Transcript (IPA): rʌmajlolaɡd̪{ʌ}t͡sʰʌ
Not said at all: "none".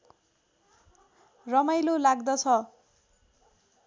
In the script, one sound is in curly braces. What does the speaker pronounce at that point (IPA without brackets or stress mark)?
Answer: ʌ